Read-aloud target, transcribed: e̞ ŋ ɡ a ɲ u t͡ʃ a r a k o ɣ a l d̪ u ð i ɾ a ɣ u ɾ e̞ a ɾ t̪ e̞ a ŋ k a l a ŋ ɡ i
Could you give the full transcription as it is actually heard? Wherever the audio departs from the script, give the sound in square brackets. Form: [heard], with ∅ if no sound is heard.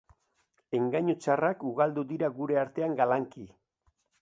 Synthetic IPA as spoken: e̞ ŋ ɡ a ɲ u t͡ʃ a r a k [u] ɣ a l d̪ u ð i ɾ a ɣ u ɾ e̞ a ɾ t̪ e̞ a ŋ [ɡ] a l a ŋ [k] i